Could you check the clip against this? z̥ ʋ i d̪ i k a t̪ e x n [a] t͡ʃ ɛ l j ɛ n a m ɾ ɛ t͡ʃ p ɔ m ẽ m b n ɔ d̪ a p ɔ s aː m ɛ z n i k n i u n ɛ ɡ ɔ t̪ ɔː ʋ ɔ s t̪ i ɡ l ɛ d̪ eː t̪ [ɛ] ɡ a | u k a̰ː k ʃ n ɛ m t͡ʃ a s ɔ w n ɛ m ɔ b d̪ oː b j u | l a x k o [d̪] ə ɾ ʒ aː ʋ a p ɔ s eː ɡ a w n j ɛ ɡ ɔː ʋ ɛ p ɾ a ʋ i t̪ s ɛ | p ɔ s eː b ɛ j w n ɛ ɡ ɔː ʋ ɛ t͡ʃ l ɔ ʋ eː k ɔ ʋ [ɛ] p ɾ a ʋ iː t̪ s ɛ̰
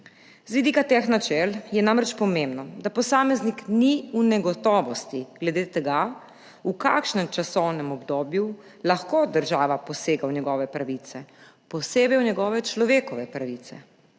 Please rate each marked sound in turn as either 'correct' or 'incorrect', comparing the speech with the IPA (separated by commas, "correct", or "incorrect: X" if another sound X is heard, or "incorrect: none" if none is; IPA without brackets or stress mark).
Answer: correct, correct, correct, correct